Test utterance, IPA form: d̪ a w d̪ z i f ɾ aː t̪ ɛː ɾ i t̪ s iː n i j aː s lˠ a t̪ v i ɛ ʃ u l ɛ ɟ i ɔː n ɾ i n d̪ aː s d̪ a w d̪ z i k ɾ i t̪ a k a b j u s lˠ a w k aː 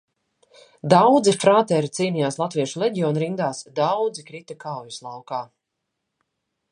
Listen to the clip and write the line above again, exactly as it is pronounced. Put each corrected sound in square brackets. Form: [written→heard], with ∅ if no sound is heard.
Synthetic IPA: d̪ a w d̪ z i f ɾ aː t̪ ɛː ɾ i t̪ s iː n i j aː s lˠ a t̪ v i ɛ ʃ u l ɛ ɟ i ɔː n ɾ i n d̪ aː s d̪ a w d̪ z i k ɾ i t̪ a k a [b→w] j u s lˠ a w k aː